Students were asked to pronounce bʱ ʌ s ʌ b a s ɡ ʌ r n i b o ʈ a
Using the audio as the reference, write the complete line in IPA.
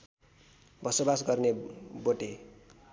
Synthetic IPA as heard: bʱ ʌ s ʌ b a s ɡ ʌ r n e b o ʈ e